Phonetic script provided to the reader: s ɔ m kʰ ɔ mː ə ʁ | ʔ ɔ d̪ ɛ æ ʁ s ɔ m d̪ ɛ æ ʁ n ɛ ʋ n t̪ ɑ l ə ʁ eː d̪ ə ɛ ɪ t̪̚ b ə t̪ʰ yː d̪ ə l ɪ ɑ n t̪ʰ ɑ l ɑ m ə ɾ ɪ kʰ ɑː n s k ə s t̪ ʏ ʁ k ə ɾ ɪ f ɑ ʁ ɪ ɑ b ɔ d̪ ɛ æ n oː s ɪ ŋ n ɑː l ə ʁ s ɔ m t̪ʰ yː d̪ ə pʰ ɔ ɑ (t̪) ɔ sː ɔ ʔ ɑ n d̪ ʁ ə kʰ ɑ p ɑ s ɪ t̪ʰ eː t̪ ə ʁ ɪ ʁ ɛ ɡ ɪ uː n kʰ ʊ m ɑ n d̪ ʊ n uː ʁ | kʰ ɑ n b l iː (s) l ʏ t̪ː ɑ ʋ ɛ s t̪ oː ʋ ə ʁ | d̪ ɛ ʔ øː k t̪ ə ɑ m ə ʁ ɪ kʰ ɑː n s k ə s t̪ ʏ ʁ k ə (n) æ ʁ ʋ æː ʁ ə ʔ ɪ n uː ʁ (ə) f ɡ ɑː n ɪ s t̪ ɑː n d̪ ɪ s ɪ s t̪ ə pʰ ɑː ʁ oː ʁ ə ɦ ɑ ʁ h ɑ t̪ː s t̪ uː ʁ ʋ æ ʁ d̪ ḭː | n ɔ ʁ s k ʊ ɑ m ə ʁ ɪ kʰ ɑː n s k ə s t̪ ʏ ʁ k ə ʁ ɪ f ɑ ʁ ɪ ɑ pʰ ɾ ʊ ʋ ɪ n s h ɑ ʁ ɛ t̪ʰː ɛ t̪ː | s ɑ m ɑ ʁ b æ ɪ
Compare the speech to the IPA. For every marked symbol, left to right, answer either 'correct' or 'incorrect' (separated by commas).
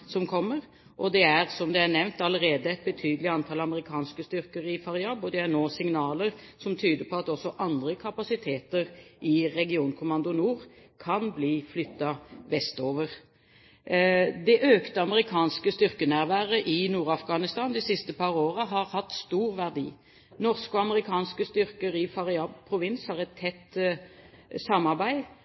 correct, incorrect, correct, incorrect